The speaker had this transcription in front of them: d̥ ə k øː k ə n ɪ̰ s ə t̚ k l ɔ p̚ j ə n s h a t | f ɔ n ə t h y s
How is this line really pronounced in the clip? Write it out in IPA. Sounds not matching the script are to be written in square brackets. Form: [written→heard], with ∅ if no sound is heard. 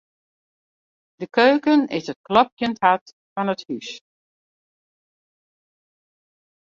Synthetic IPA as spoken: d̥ ə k øː k ə n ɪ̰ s ə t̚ k l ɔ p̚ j ə n [s→t] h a t | f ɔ n ə t h y s